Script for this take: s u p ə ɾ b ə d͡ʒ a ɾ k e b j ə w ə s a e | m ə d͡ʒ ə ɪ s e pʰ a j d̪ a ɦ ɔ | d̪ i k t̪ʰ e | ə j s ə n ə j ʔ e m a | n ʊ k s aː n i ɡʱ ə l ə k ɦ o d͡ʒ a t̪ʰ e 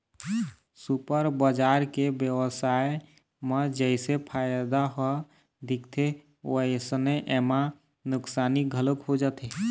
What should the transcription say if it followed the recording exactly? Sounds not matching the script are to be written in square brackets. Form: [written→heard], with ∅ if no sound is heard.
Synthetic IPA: s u p ə ɾ b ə d͡ʒ a ɾ k e b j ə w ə s a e | m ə d͡ʒ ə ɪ s e pʰ a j d̪ a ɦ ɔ | d̪ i k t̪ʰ e | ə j s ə n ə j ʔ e m a | n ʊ k s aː n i ɡʱ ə l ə k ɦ o d͡ʒ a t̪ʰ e